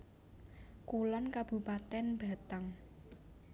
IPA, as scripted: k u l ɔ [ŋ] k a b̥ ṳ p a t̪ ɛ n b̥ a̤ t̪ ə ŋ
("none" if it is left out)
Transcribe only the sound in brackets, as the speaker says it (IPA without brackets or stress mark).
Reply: n